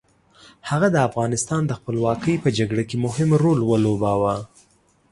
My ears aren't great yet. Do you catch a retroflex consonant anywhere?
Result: yes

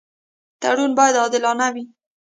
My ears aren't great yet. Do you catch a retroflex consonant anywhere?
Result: yes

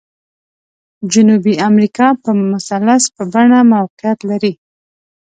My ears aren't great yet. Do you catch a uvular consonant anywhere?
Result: yes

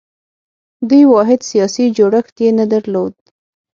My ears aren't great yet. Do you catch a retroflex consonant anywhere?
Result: yes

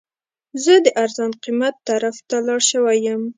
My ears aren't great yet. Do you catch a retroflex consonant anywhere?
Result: yes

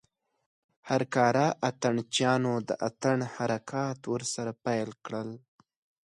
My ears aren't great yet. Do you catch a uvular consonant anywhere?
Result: no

